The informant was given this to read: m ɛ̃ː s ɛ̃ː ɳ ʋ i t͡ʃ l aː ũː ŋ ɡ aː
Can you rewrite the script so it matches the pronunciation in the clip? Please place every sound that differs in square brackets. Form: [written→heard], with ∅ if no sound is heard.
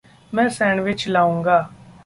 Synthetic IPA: m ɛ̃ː s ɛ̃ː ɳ ʋ [i→ɪ] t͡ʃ l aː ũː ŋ ɡ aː